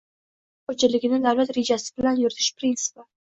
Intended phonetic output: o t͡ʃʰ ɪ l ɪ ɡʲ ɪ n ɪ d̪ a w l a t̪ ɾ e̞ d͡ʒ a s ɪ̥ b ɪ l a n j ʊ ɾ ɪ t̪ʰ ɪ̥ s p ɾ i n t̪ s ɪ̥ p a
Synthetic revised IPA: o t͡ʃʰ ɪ l ɪ ɡʲ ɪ n ɪ d̪ a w l a t̪ ɾ e̞ d͡ʒ a s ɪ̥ b ɪ l a n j ʊ ɾ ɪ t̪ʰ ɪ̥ ʃ p ɾ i n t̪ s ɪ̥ p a